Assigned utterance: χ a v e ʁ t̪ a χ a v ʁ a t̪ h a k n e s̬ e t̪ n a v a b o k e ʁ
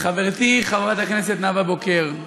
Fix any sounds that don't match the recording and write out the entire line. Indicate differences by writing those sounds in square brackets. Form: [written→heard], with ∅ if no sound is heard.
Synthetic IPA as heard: χ a v e ʁ t̪ [a→i] χ a v ʁ a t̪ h a k n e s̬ e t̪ n a v a b o k e ʁ